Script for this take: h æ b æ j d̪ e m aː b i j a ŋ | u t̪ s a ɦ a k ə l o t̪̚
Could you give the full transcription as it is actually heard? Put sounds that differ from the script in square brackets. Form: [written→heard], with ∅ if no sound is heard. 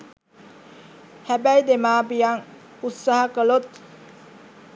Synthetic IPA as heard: h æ b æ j d̪ e m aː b i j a ŋ | u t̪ s a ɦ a k ə l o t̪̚